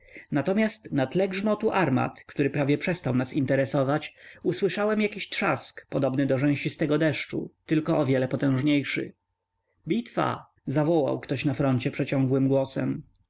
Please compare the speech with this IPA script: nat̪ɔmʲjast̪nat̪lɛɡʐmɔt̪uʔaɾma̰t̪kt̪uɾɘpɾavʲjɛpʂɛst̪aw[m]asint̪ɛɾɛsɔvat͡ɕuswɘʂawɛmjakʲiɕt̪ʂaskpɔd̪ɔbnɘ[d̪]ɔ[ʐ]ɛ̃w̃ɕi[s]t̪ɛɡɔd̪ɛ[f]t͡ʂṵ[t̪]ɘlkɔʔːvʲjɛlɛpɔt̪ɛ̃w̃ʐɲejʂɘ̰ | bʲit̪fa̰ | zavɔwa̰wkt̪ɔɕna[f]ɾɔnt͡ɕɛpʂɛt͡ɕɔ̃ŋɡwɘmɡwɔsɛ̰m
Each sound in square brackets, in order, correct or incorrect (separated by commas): incorrect, correct, correct, correct, incorrect, correct, correct